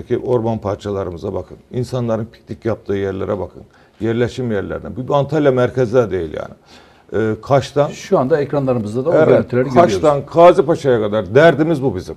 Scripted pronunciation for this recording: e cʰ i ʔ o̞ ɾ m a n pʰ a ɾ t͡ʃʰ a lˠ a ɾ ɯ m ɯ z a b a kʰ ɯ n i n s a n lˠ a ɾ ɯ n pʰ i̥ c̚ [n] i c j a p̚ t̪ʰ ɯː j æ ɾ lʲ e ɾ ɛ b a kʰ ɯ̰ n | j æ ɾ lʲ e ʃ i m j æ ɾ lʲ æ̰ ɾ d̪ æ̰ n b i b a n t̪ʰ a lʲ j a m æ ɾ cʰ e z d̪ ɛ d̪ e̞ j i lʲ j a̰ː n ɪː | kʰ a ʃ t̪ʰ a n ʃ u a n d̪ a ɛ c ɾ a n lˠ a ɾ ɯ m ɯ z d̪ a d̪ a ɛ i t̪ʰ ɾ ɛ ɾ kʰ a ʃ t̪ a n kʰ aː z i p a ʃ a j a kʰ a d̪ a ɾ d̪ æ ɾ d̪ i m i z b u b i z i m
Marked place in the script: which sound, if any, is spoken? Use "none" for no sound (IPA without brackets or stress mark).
n